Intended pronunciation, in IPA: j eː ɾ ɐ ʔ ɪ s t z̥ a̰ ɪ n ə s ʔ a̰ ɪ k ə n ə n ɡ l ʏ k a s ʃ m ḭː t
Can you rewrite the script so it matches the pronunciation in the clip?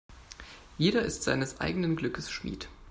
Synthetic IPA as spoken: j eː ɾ ɐ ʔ ɪ s t z̥ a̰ ɪ n ə s ʔ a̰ ɪ ɡ ə n ə n ɡ l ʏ k ə s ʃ m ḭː t